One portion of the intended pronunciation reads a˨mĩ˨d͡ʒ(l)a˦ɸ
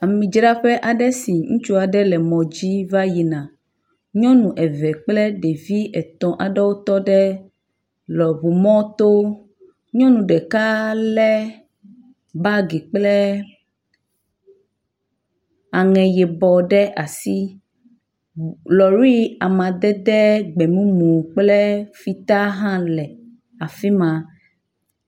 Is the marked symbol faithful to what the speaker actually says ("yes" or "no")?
no